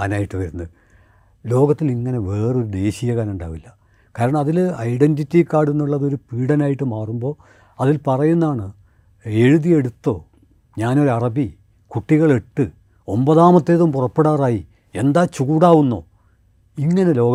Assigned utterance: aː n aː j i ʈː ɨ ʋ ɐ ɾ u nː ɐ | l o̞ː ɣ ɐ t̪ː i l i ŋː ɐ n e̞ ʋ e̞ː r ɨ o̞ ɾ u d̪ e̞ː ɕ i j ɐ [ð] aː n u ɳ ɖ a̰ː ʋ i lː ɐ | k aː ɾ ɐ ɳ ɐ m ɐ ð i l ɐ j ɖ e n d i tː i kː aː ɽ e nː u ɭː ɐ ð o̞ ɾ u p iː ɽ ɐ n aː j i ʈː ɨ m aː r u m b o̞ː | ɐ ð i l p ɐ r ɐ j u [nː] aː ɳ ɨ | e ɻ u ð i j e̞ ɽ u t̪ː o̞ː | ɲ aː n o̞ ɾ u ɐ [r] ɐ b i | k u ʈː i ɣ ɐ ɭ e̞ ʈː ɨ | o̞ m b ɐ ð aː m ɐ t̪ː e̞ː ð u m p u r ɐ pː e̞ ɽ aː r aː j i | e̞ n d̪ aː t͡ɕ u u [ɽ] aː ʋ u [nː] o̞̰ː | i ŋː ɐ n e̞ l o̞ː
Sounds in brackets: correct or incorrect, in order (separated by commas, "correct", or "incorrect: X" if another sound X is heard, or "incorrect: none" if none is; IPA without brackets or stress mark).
incorrect: ɣ, correct, correct, correct, correct